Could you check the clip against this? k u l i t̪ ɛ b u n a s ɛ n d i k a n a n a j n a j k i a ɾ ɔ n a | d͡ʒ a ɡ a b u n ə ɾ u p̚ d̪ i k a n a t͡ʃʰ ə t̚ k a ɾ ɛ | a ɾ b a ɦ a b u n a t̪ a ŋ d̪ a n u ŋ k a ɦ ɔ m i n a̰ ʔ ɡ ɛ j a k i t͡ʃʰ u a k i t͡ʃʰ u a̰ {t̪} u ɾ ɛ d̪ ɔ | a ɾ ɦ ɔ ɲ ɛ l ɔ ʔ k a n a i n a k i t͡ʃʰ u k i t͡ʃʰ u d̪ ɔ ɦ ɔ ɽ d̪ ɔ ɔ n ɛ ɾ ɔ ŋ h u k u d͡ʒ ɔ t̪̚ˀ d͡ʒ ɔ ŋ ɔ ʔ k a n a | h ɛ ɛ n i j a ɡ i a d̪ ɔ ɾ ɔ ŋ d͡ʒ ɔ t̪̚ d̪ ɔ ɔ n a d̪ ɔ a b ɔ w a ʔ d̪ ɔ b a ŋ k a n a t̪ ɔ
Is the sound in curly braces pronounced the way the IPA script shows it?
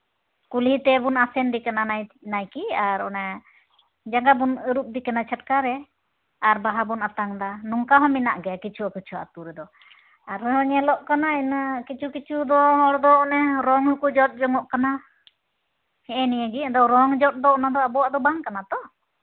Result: yes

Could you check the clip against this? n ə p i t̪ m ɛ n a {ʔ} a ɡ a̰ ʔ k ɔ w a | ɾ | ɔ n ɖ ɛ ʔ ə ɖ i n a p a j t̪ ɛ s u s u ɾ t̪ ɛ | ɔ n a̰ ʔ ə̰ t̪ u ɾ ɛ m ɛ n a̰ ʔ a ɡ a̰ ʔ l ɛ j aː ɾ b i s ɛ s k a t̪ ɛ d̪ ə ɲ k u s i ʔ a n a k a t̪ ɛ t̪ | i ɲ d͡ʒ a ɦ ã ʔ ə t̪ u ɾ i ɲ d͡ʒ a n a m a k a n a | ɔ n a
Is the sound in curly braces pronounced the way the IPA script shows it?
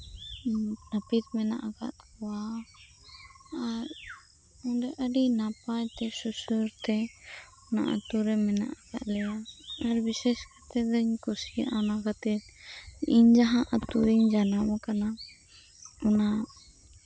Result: yes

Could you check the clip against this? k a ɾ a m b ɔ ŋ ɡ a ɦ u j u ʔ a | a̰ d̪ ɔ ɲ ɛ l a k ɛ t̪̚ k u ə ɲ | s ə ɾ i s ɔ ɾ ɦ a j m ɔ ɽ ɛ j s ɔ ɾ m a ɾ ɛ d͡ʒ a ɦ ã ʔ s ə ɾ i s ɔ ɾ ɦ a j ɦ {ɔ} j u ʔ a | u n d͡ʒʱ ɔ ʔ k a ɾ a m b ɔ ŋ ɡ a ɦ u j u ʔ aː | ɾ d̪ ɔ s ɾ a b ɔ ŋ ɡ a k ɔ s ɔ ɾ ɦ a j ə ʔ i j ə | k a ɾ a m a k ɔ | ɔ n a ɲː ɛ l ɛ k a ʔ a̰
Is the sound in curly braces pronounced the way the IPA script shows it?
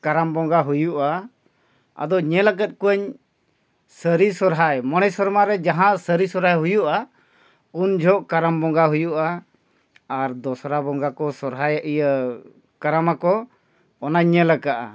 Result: no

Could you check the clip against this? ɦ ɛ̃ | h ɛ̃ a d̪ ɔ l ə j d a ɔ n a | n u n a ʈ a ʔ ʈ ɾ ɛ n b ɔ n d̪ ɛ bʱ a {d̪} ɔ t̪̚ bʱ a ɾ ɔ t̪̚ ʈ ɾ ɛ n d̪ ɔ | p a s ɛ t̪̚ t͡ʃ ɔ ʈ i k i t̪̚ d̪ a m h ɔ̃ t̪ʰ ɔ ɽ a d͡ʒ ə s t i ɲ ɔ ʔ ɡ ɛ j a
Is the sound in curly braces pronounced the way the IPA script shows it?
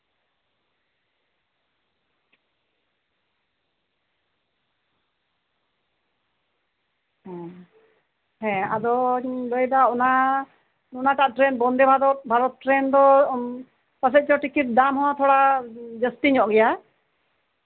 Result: yes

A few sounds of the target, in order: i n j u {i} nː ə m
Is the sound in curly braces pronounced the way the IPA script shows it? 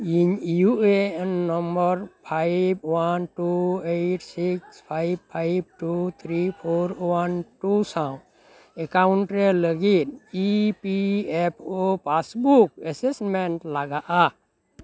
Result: no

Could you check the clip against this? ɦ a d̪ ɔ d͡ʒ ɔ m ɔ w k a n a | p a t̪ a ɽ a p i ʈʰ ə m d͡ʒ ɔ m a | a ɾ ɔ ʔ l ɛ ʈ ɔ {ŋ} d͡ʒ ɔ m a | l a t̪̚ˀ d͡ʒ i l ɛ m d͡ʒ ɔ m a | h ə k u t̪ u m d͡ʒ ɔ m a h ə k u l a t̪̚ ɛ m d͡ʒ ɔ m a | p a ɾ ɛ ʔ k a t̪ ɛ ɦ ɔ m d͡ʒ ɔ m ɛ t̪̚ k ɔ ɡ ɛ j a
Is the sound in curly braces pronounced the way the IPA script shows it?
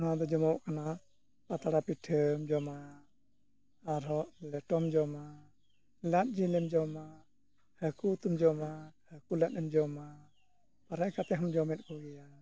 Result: no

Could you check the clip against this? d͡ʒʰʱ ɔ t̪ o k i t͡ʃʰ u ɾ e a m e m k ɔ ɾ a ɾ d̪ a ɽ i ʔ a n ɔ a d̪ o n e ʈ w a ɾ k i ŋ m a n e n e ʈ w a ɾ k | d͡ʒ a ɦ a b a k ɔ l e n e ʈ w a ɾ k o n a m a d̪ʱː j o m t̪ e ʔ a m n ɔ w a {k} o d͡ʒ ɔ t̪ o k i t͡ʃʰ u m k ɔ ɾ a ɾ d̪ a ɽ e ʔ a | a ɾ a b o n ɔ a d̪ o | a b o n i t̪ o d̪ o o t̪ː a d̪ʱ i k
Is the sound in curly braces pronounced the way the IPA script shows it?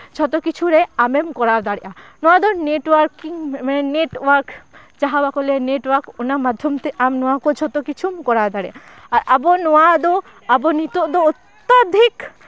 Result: yes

